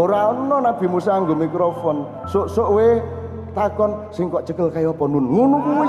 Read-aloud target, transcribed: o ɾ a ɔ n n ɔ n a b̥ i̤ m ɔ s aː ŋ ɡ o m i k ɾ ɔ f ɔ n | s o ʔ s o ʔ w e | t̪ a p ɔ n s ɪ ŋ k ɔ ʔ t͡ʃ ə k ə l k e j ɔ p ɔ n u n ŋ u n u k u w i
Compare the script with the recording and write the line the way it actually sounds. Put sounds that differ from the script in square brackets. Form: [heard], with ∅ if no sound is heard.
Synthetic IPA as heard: o ɾ a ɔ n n ɔ n a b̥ i̤ m [u] s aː ŋ ɡ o m i k ɾ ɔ f ɔ n | s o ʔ s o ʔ w e | t̪ a [k] ɔ n s ɪ ŋ k ɔ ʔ t͡ʃ ə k ə l k [a] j ɔ p ɔ n u n ŋ u n u k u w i